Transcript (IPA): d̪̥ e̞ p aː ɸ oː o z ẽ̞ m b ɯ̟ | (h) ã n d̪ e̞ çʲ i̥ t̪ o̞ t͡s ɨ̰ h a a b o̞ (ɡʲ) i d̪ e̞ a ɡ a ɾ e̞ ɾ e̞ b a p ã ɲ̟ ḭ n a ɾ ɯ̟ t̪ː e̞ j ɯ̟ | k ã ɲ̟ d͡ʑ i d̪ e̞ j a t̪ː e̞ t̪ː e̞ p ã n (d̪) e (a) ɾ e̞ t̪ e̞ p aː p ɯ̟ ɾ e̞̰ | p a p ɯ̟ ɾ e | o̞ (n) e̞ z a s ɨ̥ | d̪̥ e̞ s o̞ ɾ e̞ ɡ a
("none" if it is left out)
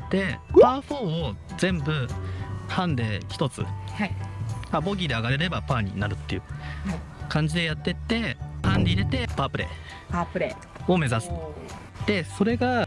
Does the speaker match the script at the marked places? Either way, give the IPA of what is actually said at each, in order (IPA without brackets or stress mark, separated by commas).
h, ɡʲ, d̪, i, m